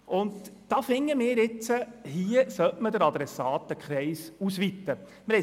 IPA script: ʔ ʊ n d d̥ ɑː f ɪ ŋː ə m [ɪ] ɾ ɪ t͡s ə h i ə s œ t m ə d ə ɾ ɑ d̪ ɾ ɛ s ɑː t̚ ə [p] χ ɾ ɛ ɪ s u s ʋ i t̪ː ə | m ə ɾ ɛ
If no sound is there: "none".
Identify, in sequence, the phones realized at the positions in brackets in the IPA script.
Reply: ɪː, k

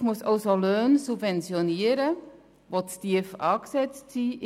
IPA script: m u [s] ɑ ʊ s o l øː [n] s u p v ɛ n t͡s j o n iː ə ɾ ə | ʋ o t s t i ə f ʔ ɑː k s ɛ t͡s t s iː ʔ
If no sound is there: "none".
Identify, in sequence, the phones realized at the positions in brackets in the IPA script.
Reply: s, n

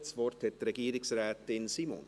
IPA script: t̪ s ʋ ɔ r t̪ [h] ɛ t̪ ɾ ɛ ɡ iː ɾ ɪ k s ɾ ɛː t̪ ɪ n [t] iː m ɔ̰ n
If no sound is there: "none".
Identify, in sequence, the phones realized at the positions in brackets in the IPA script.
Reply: h, s

